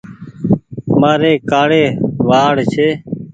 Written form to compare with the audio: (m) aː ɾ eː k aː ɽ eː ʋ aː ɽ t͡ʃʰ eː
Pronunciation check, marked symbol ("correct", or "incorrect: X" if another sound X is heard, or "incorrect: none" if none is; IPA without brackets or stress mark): correct